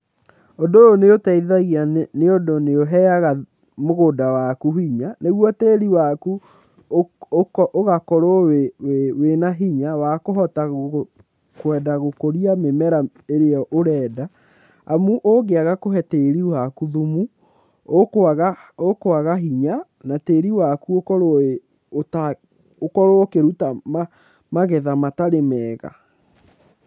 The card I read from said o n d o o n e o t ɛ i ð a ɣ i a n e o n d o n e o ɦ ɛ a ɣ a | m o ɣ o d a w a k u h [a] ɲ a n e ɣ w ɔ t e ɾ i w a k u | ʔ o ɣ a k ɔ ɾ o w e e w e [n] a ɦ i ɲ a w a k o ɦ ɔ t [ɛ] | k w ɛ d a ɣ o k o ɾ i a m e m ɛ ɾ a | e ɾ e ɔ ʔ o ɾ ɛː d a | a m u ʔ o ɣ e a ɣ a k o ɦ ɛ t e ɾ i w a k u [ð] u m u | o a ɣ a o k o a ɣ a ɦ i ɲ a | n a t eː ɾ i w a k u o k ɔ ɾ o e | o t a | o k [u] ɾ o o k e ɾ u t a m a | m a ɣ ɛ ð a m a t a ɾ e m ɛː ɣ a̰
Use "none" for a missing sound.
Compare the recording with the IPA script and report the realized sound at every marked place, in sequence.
i, n, a, ð, ɔ

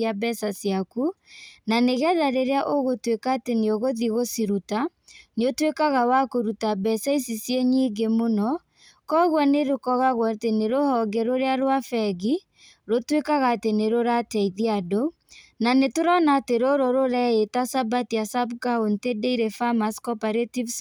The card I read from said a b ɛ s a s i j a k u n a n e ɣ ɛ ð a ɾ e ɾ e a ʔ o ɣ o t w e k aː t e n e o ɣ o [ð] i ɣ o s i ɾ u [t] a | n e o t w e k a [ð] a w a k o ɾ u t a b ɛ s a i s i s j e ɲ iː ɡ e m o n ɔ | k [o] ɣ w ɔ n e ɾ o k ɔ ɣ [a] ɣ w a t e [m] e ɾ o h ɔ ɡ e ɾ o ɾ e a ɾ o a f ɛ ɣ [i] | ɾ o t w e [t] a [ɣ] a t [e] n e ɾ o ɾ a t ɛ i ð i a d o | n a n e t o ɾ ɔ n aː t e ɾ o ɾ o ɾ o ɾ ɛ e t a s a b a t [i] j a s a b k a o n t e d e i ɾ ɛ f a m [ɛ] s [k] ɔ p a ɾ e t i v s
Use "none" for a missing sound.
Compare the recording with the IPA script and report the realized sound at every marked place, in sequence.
ð, t, ɣ, ɔ, a, n, i, k, ɣ, e, i, a, k

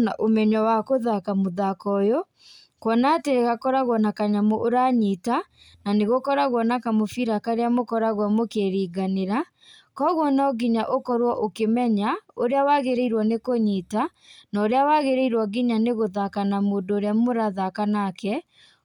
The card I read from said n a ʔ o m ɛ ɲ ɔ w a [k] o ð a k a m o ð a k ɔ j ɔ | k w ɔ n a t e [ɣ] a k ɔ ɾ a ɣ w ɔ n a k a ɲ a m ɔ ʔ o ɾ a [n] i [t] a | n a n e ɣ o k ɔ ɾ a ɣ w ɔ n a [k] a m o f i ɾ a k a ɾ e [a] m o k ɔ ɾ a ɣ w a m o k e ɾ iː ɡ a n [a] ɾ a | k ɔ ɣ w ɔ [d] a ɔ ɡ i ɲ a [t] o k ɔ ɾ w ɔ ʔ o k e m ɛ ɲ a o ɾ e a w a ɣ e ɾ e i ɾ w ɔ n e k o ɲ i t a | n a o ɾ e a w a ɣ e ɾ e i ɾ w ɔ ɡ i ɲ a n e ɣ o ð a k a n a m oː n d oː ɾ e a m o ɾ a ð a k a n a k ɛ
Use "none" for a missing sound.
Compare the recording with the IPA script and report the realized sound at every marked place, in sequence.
k, ɣ, ɲ, t, k, a, e, n, ʔ

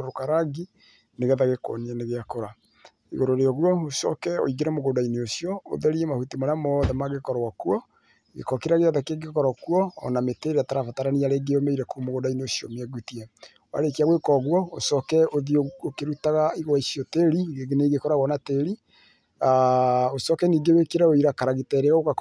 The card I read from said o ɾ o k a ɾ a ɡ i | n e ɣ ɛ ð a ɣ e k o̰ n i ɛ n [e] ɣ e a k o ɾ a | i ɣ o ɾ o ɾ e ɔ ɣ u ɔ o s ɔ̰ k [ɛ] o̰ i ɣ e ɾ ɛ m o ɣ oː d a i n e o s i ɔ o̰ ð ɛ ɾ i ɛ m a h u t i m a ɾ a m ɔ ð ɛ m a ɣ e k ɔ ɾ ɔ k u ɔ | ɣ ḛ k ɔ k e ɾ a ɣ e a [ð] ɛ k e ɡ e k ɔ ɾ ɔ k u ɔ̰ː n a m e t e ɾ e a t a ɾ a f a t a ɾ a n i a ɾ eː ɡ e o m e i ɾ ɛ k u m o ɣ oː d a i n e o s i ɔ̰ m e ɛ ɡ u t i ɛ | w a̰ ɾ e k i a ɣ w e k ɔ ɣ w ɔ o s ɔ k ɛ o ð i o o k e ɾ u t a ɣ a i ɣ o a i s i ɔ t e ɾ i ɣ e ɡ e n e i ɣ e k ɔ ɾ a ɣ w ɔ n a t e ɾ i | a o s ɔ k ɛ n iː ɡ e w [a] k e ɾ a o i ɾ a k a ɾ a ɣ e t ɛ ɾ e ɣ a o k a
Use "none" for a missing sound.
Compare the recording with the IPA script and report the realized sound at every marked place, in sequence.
e, ɛ, ð, e

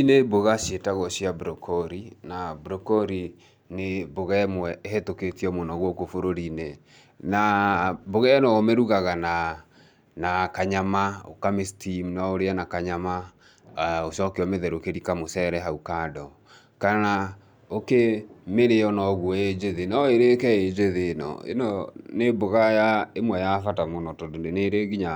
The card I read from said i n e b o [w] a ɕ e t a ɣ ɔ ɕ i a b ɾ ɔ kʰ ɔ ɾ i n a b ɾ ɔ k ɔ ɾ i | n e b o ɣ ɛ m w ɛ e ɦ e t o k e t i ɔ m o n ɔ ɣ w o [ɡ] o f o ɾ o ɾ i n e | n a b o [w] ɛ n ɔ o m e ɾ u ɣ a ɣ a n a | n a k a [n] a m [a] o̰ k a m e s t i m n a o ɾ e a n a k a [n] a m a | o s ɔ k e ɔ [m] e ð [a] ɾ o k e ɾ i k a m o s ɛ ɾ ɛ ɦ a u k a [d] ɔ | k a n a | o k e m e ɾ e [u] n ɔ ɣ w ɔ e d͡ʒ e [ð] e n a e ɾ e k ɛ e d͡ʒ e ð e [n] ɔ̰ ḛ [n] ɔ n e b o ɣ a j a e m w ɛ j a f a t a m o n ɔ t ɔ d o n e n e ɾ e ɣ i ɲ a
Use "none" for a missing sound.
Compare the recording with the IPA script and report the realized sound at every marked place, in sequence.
ɣ, k, ɣ, ɲ, a, ɲ, m, ɛ, d, ɔ, ð, n, n

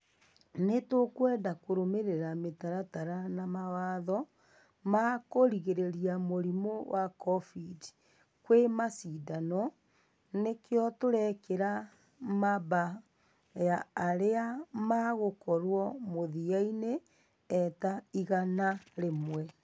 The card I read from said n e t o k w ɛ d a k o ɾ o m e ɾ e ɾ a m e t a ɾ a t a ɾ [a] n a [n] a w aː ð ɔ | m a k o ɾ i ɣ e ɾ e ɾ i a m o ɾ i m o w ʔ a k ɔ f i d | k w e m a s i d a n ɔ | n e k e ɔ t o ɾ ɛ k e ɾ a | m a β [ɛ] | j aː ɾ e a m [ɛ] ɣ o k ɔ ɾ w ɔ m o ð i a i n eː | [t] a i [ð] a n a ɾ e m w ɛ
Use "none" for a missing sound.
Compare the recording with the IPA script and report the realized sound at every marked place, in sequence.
a, m, a, a, t, ɣ

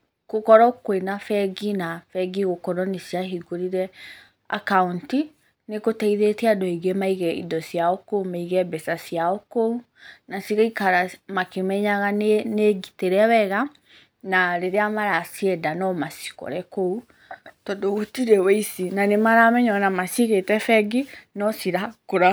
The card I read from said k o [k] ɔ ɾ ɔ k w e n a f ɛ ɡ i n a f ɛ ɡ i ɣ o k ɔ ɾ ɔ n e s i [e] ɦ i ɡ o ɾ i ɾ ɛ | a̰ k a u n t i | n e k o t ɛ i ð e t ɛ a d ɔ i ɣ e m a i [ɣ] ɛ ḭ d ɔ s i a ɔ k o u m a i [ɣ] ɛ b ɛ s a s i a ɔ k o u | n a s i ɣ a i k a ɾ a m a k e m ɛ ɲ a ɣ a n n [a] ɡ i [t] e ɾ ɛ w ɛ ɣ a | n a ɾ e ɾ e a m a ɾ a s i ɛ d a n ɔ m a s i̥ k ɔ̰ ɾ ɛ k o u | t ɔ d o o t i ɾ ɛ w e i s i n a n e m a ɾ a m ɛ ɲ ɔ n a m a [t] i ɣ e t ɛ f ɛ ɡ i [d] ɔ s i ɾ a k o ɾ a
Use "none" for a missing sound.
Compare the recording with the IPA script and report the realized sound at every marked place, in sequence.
k, a, ɣ, ɣ, e, t, s, n

